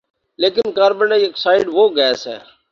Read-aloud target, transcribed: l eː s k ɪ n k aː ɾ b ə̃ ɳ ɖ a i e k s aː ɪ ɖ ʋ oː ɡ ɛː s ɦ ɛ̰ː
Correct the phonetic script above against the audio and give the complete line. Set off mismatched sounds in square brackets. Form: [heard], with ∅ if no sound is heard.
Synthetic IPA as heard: l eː [∅] k ɪ n k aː ɾ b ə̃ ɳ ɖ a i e k s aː ɪ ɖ ʋ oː ɡ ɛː s ɦ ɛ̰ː